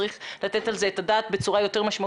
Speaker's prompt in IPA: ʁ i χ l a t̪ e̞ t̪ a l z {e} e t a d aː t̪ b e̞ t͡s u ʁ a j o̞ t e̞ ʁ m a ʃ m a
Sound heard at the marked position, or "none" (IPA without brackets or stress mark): e